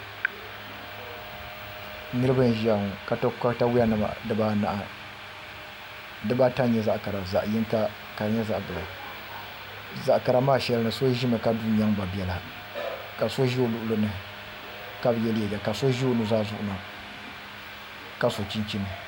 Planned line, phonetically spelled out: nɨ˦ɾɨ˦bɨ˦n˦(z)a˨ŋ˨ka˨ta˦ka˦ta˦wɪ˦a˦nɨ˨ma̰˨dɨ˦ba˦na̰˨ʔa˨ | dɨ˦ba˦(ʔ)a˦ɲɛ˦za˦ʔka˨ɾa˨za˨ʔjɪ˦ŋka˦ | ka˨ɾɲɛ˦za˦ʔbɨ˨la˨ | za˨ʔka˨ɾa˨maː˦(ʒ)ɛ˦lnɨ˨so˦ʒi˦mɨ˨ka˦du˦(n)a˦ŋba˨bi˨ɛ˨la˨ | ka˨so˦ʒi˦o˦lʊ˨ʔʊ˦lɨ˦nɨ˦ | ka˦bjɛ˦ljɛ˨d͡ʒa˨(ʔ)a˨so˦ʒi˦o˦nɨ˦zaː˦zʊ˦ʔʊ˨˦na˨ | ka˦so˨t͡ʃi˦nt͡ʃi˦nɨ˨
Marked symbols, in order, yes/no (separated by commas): no, no, no, no, no